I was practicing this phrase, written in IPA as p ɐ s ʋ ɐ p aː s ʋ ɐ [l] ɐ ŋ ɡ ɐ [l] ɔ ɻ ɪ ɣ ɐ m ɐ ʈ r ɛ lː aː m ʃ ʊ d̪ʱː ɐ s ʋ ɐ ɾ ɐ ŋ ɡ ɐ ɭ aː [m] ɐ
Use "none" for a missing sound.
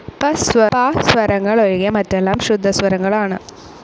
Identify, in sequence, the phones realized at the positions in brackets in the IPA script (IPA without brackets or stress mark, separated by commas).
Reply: ɾ, ɭ, n